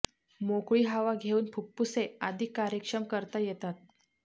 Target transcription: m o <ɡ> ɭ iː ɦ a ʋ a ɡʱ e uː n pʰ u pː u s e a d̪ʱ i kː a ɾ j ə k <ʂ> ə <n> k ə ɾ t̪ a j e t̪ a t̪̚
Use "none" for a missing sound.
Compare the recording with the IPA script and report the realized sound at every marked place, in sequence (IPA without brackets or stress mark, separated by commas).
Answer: k, ʂ, m